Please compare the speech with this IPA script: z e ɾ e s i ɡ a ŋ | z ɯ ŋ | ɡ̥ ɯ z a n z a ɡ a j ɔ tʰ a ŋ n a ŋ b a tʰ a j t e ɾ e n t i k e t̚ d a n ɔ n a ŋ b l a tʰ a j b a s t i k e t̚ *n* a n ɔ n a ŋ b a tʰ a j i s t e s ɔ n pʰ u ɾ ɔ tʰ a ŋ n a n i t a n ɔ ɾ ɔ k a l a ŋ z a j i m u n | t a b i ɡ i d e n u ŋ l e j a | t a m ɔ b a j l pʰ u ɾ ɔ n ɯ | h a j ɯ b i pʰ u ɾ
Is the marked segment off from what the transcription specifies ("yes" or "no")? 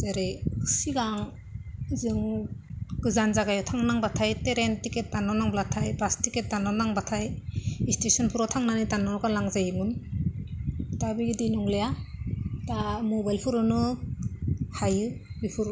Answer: yes